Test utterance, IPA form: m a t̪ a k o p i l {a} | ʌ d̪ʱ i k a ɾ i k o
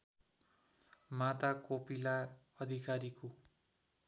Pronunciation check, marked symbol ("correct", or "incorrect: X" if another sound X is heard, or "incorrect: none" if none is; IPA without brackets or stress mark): correct